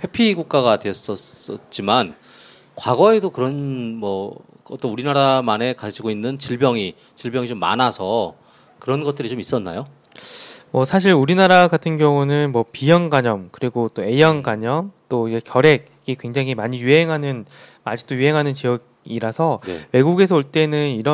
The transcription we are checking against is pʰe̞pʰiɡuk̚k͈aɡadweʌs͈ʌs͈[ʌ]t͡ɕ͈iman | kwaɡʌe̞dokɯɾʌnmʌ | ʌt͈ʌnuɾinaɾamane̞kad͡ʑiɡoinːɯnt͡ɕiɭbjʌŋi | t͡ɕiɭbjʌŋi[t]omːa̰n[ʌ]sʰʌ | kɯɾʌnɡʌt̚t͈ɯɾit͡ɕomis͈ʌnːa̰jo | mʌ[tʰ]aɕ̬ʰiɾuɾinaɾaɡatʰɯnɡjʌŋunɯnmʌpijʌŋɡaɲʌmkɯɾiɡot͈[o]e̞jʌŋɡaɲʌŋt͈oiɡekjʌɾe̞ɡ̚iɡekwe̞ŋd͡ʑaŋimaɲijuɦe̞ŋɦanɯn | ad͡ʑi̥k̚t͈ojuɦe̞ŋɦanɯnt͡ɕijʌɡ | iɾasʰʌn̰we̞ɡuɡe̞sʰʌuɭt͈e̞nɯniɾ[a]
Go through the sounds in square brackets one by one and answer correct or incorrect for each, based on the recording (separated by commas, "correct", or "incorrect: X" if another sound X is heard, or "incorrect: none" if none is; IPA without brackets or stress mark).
correct, incorrect: t͡ɕ, incorrect: a, incorrect: sʰ, correct, incorrect: ʌ